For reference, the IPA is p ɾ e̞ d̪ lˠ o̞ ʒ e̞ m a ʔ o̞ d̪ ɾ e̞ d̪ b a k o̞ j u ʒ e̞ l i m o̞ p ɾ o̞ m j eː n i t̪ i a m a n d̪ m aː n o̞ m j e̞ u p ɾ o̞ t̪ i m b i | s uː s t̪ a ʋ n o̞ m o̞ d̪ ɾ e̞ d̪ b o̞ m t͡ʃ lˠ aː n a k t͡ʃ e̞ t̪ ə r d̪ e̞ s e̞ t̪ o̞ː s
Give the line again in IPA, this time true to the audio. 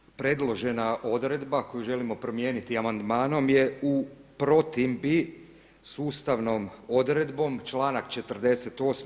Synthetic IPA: p ɾ e̞ d̪ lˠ o̞ ʒ e̞ n a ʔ o̞ d̪ ɾ e̞ d̪ b a k o̞ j u ʒ e̞ l i m o̞ p ɾ o̞ m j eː n i t̪ i a m a n d̪ m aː n o̞ m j e̞ u p ɾ o̞ t̪ i m b i | s uː s t̪ a ʋ n o̞ m o̞ d̪ ɾ e̞ d̪ b o̞ m t͡ʃ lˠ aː n a k t͡ʃ e̞ t̪ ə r d̪ e̞ s e̞ t̪ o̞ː s